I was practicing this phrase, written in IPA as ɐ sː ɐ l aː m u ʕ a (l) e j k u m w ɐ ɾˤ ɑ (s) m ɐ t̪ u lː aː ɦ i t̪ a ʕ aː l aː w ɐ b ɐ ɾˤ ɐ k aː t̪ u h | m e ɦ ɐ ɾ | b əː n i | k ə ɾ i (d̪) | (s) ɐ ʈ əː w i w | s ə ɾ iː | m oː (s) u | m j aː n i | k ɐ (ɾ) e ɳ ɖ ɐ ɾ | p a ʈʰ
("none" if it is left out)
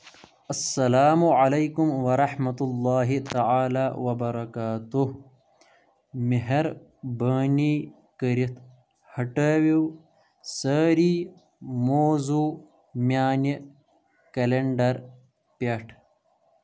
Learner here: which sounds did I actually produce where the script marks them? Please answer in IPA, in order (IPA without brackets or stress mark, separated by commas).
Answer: l, ħ, t̪, h, z, l